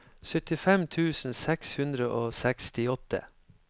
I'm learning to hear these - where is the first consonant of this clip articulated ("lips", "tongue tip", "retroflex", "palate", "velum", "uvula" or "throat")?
tongue tip